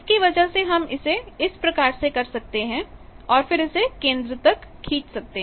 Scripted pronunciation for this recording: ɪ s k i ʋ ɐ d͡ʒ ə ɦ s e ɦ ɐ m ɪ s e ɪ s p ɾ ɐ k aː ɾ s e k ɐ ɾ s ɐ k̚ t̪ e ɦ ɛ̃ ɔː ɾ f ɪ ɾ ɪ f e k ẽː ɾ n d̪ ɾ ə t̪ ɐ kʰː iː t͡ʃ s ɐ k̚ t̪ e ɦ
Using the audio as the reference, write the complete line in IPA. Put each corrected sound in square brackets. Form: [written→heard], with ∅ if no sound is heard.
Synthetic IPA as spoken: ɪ s k i ʋ ɐ d͡ʒ ə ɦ s e ɦ ɐ m ɪ s e ɪ s p ɾ ɐ k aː ɾ s e k ɐ ɾ s ɐ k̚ t̪ e ɦ ɛ̃ ɔː ɾ f ɪ ɾ ɪ [f→s] e k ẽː [ɾ→∅] n d̪ ɾ ə t̪ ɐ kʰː iː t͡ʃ s ɐ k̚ t̪ e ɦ

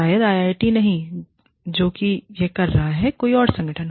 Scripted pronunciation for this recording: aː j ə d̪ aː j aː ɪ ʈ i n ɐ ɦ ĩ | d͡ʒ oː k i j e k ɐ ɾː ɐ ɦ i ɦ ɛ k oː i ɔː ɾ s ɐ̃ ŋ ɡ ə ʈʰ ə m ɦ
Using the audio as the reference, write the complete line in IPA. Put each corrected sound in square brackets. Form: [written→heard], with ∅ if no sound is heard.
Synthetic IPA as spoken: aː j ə d̪ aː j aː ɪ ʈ i n ɐ ɦ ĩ | d͡ʒ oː k i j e k ɐ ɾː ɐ ɦ [i→a] ɦ ɛ k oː i ɔː ɾ s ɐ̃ ŋ ɡ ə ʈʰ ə [m→n] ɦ

